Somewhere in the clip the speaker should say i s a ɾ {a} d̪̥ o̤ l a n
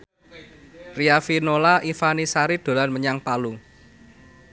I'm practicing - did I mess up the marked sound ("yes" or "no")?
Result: yes